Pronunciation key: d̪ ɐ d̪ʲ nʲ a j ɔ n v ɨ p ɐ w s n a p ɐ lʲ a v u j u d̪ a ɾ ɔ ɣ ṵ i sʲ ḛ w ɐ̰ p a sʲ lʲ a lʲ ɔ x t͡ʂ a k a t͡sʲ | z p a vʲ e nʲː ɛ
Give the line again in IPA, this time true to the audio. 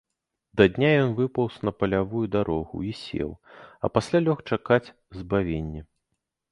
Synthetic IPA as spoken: d̪ ɐ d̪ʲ nʲ a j ɔ n v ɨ p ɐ w s n ɐ p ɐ lʲ a v u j u d̪ a ɾ ɔ ɣ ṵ i sʲ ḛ w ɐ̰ p a sʲ lʲ a lʲ ɔ x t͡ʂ a k a t͡sʲ | z b a vʲ e nʲː ɛ

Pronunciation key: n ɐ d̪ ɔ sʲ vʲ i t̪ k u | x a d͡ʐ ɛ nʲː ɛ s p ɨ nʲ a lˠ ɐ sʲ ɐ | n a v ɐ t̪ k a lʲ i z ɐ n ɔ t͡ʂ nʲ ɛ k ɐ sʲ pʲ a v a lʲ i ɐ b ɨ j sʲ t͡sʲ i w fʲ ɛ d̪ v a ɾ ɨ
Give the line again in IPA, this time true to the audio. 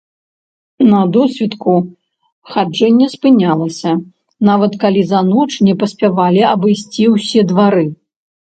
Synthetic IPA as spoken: n ɐ d̪ ɔ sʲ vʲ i t̪ k u | x a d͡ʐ ɛ nʲː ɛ s p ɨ nʲ a lˠ ɐ sʲ ɐ | n a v ɐ t̪ k a lʲ i z ɐ n ɔ t͡ʂ nʲ ɛ p ɐ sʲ pʲ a v a lʲ i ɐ b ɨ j sʲ t͡sʲ i w sʲ ɛ d̪ v a ɾ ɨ

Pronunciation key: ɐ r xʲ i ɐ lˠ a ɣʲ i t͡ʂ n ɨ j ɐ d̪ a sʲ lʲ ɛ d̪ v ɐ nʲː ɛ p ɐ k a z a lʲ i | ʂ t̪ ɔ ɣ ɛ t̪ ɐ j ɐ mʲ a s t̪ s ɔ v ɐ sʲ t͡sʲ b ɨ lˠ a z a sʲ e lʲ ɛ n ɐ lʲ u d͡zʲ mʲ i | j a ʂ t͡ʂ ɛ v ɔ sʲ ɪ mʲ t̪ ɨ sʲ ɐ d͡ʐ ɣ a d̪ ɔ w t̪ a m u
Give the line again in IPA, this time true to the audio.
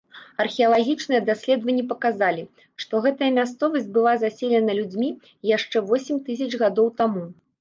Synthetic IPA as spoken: ɐ r xʲ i ɐ lˠ a ɣʲ i t͡ʂ n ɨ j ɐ d̪ a sʲ lʲ ɛ d̪ v ɐ nʲː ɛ p ɐ k a z a lʲ i | ʂ t̪ ɔ ɣ ɛ t̪ ɐ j ɐ mʲ a s t̪ s ɔ v ɐ sʲ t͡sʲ b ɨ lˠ a z a sʲ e lʲ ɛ n ɐ lʲ u d͡zʲ mʲ i | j a ʂ t͡ʂ ɛ v ɔ sʲ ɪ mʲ t̪ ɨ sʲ ɐ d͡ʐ ɣ a d̪ ɔ w t̪ a m u

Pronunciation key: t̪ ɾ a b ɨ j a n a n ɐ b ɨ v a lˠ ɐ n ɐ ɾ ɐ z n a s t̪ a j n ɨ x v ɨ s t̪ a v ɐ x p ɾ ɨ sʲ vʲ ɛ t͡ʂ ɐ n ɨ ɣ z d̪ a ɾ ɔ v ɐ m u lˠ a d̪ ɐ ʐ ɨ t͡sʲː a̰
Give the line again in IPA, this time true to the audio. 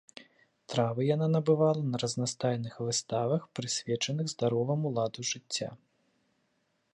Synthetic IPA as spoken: t̪ ɾ a v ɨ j a n a n ɐ b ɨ v a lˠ ɐ n ɐ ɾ ɐ z n a s t̪ a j n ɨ x v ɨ s t̪ a v ɐ x p ɾ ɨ sʲ vʲ ɛ t͡ʂ ɐ n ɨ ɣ z d̪ a ɾ ɔ v ɐ m u lˠ a d̪ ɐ ʐ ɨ t͡sʲː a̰

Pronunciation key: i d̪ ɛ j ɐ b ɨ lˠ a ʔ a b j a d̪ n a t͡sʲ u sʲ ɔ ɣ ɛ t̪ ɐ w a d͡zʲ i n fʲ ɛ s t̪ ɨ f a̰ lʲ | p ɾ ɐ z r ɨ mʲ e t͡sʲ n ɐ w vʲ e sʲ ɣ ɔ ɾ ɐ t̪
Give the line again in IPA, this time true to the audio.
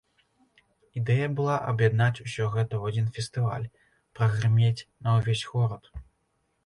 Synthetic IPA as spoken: i d̪ ɛ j ɐ b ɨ lˠ a ʔ ɐ b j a d̪ n a t͡sʲ u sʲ ɔ ɣ ɛ t̪ ɐ w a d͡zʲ i n fʲ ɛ s t̪ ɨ v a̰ lʲ | p ɾ ɐ ɣ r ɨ mʲ e t͡sʲ n ɐ w vʲ e sʲ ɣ ɔ ɾ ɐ t̪

